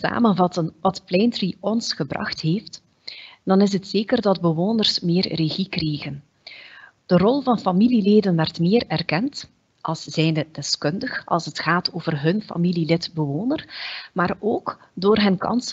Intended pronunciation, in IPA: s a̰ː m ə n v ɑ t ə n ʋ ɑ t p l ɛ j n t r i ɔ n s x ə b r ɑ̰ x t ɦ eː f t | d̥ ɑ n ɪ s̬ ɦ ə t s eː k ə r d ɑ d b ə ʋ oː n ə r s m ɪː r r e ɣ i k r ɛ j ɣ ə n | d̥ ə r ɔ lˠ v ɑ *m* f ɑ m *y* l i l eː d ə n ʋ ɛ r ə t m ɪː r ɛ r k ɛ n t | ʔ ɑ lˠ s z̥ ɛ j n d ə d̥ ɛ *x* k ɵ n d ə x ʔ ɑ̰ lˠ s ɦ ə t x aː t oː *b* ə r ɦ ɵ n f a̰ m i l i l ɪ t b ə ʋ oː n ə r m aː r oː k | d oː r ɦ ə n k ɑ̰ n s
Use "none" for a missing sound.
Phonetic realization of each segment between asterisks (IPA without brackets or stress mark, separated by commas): n, i, s, v